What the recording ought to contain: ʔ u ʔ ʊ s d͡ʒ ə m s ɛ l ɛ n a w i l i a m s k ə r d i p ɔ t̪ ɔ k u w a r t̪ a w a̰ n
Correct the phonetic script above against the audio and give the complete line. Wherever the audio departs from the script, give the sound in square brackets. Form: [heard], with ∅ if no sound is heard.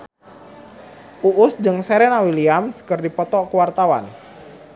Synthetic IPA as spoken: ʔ u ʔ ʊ s d͡ʒ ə [ŋ] s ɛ [ɾ] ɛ n a w i l i a m s k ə r d i p ɔ t̪ ɔ k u w a r t̪ a w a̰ n